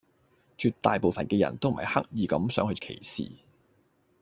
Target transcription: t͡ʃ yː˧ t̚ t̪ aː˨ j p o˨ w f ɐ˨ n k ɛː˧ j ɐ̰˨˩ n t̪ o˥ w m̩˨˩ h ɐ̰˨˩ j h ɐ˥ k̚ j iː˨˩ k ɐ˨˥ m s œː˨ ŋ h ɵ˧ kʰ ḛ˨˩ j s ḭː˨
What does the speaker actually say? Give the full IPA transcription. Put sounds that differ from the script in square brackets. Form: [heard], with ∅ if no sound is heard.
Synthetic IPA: t͡ʃ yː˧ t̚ t̪ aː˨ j p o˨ w f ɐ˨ n k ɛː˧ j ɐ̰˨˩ n t̪ o˥ w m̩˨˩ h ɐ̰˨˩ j h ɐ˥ k̚ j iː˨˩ k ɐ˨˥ m s [œː˨˥] ŋ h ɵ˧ kʰ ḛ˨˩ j s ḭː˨